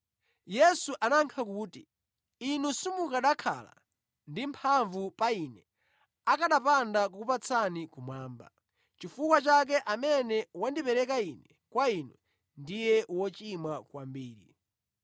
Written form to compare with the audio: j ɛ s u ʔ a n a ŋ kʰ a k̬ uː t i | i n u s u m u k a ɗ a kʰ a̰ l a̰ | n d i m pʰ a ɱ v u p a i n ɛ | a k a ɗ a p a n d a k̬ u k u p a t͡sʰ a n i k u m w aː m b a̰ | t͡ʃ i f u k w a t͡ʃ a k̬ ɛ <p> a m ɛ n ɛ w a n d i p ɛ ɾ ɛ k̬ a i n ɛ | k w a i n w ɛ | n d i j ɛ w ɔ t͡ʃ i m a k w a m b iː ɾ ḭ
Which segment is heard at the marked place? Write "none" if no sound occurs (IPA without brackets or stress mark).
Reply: ʔ